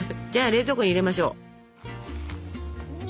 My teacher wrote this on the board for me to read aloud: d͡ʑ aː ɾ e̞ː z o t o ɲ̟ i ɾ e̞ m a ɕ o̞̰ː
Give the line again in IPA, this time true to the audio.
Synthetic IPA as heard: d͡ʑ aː ɾ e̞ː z o k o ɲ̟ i ɾ e̞ m a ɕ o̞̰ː